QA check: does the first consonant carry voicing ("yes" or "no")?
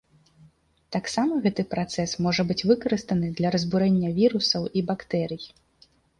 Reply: no